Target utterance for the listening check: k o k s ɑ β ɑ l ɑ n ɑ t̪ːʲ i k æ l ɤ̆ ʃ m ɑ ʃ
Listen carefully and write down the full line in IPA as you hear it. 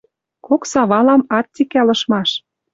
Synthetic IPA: k o k s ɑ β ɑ l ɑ m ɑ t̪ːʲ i k æ l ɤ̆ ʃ m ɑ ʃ